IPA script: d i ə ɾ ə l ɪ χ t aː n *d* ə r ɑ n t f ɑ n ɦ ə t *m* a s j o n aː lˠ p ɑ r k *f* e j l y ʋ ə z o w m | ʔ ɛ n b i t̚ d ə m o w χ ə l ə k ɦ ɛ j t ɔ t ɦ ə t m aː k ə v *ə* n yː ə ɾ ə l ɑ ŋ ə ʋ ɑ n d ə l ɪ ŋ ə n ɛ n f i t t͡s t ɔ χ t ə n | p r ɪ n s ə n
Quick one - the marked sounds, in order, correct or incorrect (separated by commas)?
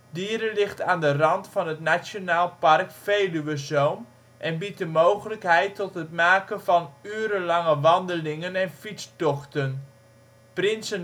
correct, incorrect, correct, incorrect